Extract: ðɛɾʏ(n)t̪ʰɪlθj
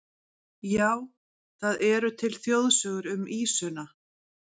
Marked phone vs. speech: incorrect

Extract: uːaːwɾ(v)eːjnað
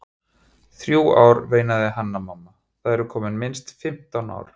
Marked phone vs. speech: correct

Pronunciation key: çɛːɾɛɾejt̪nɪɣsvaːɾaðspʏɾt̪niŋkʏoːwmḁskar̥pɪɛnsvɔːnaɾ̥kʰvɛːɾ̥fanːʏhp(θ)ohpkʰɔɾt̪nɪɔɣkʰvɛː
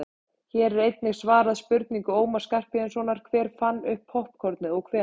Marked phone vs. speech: incorrect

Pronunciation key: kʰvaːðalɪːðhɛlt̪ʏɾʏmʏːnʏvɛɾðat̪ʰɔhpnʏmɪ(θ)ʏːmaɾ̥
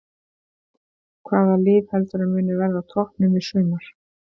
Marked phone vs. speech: incorrect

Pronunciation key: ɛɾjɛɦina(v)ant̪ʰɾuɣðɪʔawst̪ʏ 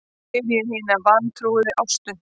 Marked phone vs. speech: correct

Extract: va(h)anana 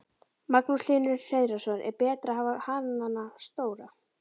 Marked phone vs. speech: correct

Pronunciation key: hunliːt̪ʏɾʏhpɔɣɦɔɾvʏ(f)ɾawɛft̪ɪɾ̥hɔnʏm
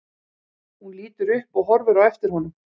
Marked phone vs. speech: incorrect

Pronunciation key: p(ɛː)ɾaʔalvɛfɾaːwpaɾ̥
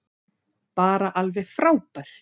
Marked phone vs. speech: incorrect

